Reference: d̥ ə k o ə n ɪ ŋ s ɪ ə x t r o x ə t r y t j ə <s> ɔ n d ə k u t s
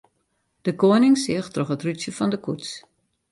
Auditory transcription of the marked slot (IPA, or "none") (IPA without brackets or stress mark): f